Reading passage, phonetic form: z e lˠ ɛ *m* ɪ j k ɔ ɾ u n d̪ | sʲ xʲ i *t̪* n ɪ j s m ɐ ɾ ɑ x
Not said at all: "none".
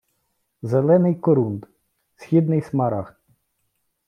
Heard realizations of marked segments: n, d̪

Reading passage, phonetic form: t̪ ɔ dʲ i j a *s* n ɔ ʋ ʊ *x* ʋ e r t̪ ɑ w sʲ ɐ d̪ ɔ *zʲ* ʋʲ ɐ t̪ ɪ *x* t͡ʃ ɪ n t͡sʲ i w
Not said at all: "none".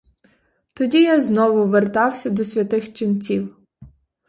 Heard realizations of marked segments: z, none, sʲ, x

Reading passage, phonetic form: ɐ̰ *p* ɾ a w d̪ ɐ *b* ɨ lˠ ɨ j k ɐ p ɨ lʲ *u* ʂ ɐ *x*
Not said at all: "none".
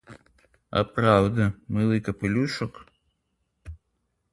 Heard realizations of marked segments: p, m, u, k

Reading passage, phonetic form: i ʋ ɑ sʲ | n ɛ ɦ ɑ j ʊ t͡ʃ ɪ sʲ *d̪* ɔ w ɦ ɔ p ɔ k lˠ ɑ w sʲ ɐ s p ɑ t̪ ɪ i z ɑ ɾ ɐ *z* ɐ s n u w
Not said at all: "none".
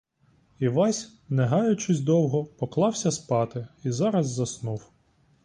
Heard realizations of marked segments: d̪, zː

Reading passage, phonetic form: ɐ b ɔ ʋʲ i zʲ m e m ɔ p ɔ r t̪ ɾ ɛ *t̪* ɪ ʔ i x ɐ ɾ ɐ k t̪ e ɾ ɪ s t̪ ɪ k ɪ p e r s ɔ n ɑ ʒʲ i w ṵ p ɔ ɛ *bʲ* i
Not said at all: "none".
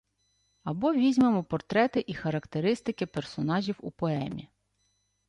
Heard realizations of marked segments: t̪, mʲ

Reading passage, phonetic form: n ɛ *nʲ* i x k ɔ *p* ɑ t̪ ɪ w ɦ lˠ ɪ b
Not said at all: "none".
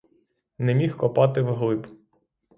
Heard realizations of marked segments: mʲ, p

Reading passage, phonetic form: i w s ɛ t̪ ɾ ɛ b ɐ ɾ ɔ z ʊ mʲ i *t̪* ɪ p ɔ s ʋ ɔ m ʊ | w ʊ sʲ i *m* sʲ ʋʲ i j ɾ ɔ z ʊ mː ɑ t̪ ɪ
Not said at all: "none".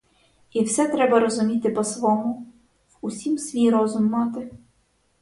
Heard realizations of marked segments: t̪, m

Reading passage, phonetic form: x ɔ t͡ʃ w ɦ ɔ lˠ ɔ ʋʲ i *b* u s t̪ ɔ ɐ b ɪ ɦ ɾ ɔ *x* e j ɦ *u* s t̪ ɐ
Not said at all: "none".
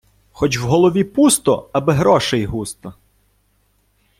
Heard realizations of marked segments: p, ʃ, u

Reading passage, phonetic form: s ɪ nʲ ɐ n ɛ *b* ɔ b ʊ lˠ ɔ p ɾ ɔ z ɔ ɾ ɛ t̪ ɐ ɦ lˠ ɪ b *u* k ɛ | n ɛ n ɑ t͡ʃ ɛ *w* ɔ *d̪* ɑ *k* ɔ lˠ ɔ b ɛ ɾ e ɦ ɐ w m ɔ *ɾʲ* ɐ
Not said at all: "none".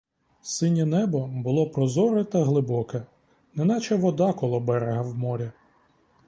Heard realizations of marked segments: b, ɔ, ʋ, d̪, k, ɾʲ

